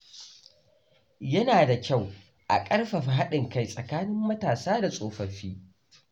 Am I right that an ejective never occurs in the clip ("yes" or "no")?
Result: no